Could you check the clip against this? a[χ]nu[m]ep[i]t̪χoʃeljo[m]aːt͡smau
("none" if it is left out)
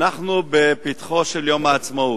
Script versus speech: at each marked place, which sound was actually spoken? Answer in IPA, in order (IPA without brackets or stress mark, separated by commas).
χ, b, i, m